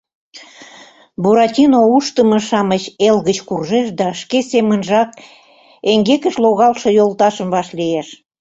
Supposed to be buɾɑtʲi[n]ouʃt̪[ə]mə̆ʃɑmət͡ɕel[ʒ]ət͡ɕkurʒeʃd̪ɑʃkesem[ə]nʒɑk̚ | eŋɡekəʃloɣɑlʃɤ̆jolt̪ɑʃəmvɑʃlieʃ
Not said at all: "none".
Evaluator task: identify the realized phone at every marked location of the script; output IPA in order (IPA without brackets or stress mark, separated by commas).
n, ə, ɣ, ə